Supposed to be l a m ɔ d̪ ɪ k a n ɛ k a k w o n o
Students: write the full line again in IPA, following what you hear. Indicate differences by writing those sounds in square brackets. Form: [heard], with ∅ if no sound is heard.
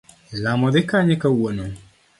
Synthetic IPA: l a m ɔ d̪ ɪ k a [ɲ] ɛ k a [∅] w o n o